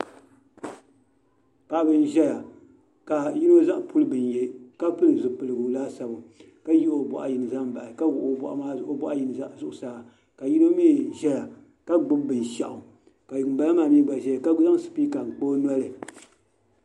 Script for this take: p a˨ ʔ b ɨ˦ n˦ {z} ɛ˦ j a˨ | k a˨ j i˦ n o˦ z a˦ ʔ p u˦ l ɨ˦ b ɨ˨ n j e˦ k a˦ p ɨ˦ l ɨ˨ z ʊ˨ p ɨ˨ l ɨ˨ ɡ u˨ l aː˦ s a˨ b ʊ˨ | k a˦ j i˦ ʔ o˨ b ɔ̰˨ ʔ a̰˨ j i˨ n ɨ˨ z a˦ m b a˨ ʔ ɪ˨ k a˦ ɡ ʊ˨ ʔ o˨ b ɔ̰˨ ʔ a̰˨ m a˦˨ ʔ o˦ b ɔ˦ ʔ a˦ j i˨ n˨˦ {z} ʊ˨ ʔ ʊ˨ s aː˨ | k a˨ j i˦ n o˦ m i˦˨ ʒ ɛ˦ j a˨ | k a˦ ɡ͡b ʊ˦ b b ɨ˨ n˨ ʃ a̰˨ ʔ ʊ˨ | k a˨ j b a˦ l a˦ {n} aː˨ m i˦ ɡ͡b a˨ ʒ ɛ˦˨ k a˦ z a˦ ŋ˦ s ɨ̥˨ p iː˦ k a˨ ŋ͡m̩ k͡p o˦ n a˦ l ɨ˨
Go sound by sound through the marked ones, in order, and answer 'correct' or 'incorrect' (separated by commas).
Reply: incorrect, correct, incorrect